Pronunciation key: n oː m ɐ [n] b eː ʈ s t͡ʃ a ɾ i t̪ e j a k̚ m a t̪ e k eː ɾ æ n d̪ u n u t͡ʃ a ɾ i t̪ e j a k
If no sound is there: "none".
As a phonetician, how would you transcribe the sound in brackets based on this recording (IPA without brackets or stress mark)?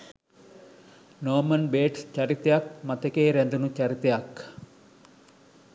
n